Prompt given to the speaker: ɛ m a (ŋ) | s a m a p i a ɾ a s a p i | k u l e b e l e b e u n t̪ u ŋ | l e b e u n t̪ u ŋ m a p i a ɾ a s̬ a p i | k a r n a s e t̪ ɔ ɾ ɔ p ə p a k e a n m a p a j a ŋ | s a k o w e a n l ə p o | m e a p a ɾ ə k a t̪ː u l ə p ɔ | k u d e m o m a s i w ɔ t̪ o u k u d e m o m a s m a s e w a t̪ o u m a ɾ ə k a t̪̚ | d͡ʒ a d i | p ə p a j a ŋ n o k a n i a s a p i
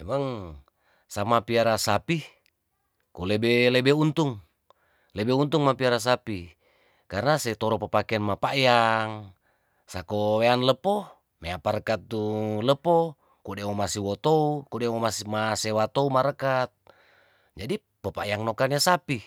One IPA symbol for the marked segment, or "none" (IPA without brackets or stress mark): ŋ